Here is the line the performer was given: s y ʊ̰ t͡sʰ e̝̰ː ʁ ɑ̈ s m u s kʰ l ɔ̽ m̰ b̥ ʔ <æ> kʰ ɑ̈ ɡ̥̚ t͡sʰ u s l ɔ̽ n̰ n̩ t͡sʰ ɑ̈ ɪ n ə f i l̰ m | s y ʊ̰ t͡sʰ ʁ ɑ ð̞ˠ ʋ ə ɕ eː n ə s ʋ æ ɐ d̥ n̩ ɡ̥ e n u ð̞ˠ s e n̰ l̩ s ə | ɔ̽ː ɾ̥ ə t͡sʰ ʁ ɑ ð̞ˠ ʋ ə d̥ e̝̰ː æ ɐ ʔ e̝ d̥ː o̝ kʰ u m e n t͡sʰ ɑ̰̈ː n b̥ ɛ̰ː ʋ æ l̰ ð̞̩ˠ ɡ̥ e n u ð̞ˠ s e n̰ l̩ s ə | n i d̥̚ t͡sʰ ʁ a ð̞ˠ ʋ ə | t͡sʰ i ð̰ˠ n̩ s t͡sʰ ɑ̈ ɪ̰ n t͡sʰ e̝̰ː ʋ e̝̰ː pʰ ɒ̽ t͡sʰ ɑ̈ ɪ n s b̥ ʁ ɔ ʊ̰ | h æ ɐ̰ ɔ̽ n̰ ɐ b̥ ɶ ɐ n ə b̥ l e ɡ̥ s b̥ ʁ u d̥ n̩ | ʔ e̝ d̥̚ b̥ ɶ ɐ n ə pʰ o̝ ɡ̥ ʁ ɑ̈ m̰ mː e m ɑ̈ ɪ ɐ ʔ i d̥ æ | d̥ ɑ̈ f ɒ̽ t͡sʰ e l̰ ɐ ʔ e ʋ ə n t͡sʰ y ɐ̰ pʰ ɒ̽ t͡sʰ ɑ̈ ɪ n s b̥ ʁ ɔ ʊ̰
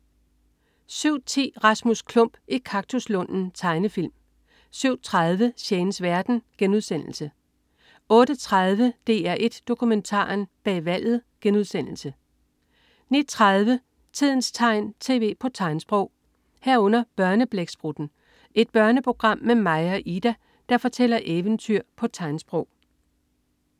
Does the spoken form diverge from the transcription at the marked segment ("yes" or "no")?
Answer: yes